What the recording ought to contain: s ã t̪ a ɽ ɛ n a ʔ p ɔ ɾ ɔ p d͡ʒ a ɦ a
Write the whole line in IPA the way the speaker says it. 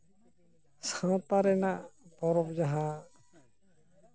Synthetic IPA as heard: s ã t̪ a ɾ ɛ n a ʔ p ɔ ɾ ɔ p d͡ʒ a ɦ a